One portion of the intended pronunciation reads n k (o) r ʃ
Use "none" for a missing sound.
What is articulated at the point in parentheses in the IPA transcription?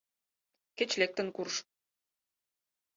u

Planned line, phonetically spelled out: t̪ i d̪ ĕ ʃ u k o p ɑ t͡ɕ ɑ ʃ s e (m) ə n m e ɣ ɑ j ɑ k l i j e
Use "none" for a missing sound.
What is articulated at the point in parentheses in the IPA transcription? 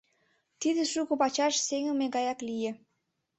ŋ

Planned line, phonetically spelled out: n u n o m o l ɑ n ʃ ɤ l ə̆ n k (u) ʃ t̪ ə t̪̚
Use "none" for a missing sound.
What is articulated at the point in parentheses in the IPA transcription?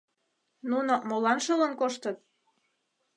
o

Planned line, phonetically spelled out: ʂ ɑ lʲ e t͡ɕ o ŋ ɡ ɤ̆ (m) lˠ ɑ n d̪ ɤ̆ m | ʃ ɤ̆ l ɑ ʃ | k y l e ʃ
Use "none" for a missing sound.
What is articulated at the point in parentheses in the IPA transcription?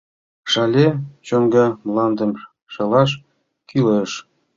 m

